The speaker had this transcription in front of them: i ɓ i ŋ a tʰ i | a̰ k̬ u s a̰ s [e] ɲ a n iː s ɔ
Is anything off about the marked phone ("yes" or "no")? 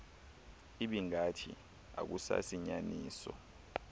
yes